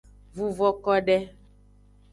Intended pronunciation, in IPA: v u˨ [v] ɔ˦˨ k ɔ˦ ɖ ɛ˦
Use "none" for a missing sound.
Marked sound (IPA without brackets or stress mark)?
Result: v